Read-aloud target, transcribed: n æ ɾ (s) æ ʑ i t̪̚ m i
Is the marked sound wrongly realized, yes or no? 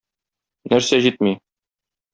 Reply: no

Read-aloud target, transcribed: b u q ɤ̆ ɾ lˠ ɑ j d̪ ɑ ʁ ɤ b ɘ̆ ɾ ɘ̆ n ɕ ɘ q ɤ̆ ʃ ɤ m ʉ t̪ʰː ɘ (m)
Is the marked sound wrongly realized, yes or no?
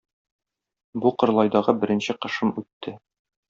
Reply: yes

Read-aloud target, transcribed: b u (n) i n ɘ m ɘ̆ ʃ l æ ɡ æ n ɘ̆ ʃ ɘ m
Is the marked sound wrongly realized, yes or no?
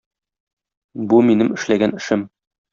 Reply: yes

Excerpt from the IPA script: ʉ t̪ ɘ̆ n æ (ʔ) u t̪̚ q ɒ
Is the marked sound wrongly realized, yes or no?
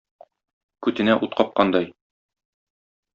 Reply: no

